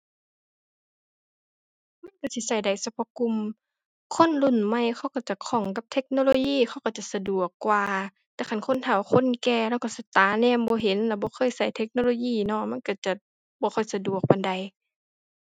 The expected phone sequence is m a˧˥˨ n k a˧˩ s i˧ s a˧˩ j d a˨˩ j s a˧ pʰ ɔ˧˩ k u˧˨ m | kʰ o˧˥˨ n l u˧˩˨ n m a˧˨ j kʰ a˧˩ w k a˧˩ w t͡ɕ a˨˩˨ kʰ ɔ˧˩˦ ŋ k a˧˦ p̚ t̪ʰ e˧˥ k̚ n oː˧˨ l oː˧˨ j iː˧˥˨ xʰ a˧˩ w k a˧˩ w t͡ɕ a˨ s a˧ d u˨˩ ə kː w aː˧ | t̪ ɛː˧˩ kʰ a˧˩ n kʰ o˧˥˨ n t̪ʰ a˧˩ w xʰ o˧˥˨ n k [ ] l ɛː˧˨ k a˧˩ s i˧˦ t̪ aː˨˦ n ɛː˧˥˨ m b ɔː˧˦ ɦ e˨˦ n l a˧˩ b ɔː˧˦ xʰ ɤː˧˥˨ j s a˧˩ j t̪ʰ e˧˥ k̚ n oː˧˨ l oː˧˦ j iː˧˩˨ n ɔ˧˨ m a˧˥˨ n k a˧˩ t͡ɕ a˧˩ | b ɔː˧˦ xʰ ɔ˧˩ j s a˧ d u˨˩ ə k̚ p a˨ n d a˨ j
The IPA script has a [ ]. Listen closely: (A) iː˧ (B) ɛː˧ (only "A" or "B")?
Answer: B